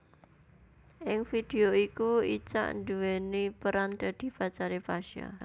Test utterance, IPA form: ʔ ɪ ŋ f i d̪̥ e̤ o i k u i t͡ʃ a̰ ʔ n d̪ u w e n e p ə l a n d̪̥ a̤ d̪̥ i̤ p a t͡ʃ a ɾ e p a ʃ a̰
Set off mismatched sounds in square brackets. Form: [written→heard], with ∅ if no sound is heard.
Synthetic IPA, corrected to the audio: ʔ ɪ ŋ f i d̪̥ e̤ o i k u i t͡ʃ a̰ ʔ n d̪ u w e n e p ə [l→ɾ] a n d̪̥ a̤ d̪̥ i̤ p a t͡ʃ a ɾ e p a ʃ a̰